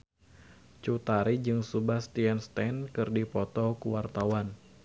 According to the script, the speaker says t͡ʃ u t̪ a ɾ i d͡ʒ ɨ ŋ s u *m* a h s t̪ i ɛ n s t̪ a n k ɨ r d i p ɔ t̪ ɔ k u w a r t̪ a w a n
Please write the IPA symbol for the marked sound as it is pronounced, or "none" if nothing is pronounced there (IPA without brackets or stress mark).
b